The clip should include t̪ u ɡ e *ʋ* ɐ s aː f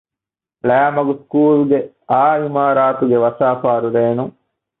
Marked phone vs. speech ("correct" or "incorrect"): correct